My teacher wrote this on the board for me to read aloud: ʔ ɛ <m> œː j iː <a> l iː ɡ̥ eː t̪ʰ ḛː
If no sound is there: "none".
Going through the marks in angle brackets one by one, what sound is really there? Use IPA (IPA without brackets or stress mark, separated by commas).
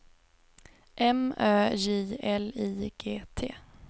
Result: m, ɛ